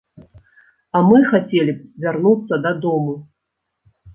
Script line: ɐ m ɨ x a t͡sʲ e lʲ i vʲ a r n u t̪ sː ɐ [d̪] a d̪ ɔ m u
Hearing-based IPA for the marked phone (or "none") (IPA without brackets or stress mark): d̪